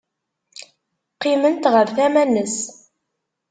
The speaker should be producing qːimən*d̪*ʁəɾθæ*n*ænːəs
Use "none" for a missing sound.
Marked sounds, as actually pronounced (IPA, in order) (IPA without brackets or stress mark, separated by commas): t̪, m